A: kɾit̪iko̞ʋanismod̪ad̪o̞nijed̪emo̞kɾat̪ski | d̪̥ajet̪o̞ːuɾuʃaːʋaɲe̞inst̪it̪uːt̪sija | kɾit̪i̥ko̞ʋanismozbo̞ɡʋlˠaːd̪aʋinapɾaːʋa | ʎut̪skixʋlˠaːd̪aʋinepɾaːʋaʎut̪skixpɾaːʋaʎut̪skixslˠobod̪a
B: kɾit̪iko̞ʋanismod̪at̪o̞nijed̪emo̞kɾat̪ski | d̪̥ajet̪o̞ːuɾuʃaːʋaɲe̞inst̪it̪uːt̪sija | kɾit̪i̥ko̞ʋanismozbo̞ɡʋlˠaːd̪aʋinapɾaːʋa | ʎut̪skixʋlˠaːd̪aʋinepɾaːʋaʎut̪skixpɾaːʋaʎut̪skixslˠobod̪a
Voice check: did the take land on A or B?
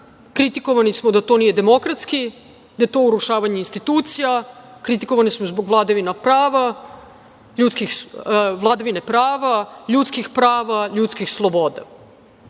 B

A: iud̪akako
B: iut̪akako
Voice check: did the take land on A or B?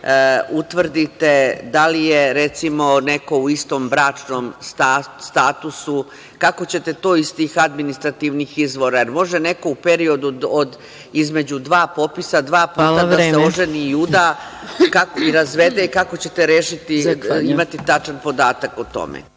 A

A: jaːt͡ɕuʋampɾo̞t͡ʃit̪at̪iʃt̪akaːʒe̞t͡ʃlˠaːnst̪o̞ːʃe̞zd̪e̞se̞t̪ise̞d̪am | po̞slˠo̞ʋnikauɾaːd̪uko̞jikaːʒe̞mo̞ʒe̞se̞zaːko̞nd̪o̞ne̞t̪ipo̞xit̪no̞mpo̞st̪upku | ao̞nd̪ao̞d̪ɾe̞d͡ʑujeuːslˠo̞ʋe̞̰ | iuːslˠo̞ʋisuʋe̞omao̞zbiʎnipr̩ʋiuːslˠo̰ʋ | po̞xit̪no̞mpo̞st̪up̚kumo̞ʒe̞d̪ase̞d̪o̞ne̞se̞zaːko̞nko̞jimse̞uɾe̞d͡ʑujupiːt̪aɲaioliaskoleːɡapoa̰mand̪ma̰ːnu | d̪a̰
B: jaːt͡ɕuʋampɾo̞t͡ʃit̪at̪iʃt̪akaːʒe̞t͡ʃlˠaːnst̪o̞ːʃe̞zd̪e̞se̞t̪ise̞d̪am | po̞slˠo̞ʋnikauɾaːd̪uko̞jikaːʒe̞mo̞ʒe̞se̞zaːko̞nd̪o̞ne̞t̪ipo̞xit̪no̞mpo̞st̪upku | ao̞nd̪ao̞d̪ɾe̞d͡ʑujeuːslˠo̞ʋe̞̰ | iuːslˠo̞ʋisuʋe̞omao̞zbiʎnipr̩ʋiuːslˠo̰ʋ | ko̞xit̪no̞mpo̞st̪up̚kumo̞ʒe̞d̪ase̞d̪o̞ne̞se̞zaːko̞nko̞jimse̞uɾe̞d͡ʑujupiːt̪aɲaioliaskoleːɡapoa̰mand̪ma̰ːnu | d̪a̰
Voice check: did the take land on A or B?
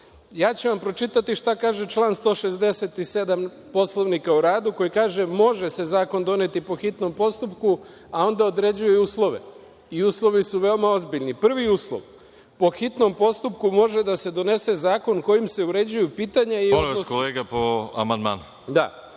A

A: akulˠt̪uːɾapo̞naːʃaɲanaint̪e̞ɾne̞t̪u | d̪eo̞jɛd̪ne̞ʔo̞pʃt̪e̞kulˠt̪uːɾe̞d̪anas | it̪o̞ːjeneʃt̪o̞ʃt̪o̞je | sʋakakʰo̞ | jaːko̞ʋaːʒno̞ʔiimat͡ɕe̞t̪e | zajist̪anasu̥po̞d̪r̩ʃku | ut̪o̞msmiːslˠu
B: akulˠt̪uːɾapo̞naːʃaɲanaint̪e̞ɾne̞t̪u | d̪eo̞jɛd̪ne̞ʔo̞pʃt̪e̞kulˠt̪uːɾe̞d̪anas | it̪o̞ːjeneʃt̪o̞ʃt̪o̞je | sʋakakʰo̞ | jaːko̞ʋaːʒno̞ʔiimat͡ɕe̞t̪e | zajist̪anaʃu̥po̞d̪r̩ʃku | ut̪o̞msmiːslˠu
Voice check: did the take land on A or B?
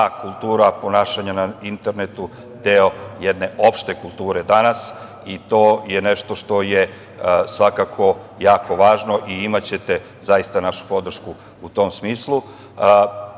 B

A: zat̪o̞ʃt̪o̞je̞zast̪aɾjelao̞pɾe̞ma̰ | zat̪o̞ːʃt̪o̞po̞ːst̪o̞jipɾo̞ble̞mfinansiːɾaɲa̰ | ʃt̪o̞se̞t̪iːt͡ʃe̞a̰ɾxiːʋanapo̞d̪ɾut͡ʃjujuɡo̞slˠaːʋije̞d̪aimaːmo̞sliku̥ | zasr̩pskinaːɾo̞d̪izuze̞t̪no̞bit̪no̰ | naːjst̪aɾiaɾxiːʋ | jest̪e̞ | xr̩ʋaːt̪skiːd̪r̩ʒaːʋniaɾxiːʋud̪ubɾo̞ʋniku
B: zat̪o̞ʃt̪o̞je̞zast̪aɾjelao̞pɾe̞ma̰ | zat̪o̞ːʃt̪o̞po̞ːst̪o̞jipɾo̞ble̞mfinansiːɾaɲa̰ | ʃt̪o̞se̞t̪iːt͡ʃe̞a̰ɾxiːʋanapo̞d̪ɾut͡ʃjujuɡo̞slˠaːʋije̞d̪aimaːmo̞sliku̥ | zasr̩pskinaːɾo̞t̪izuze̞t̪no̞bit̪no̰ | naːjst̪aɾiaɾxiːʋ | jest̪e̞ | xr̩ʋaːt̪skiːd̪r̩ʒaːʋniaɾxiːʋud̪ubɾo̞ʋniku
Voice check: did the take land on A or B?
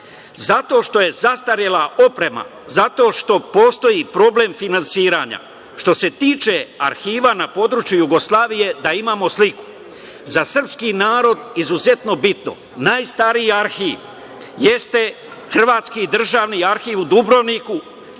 A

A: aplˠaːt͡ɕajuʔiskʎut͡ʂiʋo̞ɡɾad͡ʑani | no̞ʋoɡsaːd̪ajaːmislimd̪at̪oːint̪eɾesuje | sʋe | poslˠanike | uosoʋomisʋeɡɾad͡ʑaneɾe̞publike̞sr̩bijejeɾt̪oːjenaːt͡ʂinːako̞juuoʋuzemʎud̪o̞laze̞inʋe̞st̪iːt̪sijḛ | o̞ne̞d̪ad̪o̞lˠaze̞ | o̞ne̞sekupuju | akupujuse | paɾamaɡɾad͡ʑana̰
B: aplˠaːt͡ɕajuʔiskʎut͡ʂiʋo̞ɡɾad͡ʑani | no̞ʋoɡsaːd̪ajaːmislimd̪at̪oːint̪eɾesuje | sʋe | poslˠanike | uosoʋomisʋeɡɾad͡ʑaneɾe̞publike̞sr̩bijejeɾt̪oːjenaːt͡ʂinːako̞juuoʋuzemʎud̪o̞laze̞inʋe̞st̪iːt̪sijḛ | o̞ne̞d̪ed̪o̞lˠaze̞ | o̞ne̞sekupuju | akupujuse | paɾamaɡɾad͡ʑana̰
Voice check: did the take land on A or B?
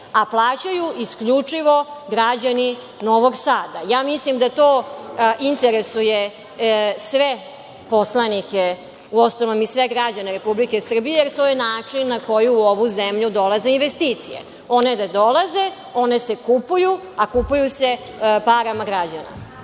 A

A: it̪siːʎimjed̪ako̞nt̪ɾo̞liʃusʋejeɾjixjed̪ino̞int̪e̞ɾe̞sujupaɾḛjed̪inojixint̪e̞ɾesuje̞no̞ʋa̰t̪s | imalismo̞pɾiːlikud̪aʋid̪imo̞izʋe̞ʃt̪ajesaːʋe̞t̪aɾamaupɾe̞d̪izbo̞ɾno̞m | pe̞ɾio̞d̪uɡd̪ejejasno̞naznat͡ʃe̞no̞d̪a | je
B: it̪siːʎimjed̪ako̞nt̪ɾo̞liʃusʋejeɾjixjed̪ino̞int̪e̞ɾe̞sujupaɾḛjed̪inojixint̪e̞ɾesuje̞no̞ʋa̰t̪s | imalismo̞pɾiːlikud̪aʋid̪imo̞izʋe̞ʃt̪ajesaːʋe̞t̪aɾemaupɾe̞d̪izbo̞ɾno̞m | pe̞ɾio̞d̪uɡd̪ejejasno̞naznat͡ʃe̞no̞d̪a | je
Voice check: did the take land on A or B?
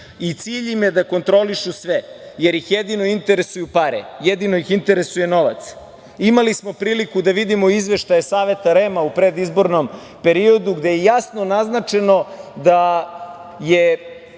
B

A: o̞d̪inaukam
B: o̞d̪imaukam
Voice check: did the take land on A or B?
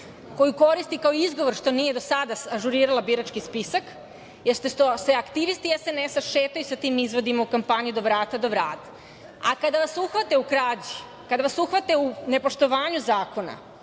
B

